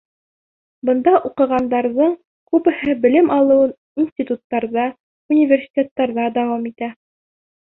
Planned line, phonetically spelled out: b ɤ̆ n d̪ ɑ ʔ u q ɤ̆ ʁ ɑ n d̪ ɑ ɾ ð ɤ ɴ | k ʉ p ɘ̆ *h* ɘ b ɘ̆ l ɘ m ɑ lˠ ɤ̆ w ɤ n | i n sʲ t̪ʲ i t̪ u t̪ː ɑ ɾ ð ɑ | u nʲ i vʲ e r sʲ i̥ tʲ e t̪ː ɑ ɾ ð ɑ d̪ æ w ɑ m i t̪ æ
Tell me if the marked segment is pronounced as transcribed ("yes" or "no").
yes